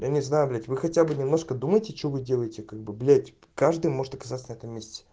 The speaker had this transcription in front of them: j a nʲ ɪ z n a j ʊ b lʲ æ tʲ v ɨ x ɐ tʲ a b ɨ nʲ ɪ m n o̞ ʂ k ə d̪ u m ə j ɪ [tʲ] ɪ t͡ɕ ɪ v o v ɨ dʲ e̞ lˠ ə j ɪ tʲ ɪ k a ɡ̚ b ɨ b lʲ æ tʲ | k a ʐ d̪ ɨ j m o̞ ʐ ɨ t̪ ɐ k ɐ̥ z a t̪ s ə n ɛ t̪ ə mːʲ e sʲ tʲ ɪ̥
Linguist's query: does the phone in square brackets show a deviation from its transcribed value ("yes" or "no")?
no